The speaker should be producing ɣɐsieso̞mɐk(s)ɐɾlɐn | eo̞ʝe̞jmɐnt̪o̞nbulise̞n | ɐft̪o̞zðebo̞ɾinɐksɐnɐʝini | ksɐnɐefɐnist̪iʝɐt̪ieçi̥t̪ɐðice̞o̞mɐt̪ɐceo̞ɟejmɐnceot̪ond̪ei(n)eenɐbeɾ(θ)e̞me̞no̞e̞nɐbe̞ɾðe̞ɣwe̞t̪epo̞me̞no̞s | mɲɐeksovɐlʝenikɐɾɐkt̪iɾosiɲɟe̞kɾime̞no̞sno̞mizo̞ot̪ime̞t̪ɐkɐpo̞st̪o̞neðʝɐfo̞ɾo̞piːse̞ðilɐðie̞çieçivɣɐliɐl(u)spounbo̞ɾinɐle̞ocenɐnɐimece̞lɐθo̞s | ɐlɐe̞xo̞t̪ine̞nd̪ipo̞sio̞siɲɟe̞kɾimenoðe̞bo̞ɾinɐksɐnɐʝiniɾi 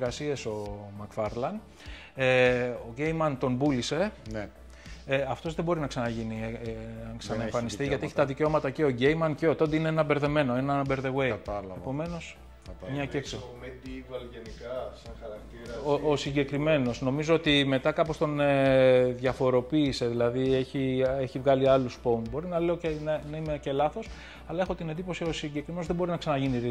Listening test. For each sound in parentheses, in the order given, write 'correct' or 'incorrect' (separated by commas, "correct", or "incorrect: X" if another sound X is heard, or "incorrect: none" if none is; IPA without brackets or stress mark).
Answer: incorrect: f, correct, incorrect: ð, correct